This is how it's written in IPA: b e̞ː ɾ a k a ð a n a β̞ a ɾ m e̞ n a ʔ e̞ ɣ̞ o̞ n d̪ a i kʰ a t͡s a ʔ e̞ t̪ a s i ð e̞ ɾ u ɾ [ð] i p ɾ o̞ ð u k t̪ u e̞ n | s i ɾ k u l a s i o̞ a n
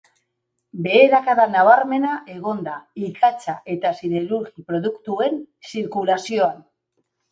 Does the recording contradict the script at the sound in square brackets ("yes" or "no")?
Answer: yes